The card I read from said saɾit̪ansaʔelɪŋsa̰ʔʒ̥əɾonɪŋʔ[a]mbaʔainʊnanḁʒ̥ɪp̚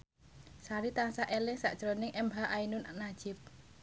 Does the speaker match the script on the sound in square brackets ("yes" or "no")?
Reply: no